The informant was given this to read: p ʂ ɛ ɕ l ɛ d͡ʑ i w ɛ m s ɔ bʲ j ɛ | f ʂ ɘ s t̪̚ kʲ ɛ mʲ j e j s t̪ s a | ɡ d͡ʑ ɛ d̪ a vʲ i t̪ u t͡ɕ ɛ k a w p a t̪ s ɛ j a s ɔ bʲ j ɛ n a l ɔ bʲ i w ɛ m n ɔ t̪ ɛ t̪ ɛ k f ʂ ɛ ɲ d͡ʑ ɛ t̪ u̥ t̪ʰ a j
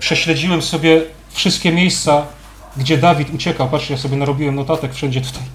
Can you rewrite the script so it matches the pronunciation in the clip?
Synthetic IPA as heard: p ʂ ɛ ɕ l ɛ d͡ʑ i w ɛ m s ɔ bʲ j ɛ | f ʂ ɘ s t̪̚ kʲ ɛ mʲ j e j s t̪ s a | ɡ d͡ʑ ɛ d̪ a vʲ i t̪ u t͡ɕ ɛ k a w p a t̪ ʂ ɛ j a s ɔ bʲ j ɛ n a ɾ ɔ bʲ i w ɛ m n ɔ t̪ a t̪ ɛ k f ʂ ɛ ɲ d͡ʑ ɛ t̪ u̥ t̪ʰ a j